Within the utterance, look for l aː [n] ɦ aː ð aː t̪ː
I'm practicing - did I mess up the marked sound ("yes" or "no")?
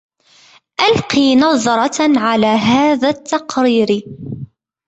yes